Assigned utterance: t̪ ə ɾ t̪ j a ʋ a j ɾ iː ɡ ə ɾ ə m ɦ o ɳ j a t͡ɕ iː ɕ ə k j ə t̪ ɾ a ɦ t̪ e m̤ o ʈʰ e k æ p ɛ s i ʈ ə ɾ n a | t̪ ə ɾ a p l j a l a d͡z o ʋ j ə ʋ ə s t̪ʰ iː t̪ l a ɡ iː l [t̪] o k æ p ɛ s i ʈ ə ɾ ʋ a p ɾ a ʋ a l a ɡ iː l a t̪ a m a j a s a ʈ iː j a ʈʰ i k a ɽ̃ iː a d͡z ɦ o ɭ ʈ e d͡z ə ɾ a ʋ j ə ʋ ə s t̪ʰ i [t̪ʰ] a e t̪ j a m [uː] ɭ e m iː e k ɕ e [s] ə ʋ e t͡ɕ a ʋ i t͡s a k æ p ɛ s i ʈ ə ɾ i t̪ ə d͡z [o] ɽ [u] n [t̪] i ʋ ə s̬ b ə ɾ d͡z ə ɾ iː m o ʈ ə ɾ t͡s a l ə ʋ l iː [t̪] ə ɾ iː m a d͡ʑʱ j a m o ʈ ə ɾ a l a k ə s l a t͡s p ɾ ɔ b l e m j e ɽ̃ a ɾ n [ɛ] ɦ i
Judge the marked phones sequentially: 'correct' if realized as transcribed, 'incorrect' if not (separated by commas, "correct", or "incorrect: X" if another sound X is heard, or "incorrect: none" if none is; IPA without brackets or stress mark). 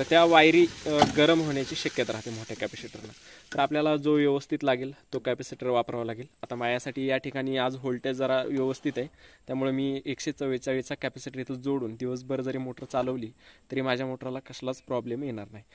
correct, incorrect: t̪, incorrect: u, incorrect: t͡s, correct, incorrect: uː, incorrect: d̪, correct, incorrect: a